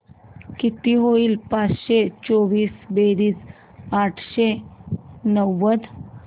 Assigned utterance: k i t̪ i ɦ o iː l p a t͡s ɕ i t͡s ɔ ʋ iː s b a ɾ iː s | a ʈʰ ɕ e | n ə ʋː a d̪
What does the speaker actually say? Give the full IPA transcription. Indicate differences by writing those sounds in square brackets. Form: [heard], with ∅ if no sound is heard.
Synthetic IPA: k i t̪ i ɦ o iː l p a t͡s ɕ [e] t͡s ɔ ʋ iː s b [e] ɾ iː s | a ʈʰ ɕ e | n ə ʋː [ə] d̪